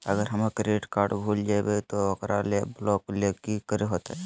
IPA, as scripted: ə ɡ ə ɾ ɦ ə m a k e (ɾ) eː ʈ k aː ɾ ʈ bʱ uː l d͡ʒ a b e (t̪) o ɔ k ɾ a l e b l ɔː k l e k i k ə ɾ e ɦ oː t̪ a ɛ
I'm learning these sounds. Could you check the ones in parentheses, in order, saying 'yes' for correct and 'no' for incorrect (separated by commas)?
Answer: yes, yes